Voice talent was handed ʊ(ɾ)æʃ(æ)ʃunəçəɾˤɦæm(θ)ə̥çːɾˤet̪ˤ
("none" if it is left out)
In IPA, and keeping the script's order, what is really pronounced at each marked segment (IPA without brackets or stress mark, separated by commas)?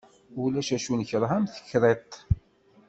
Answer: l, æ, θ